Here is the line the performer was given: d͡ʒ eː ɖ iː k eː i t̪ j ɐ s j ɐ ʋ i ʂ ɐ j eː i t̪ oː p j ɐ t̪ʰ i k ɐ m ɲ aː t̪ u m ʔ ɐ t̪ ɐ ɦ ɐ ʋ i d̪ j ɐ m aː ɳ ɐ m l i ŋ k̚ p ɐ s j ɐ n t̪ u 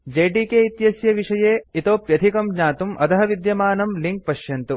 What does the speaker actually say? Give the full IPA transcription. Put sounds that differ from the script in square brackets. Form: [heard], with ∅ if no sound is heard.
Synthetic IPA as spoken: d͡ʒ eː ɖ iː k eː i t̪ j ɐ s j ɐ ʋ i ʂ ɐ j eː i t̪ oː p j ɐ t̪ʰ i k ɐ m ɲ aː t̪ u m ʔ ɐ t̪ ɐ ɦ ɐ ʋ i d̪ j ɐ m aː [n] ɐ m l i ŋ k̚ p ɐ [ʃ] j ɐ n t̪ u